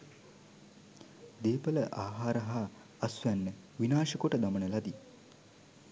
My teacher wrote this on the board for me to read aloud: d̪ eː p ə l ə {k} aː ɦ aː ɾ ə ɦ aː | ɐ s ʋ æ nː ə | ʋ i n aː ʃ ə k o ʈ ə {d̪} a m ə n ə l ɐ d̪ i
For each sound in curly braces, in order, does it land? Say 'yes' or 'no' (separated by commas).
no, yes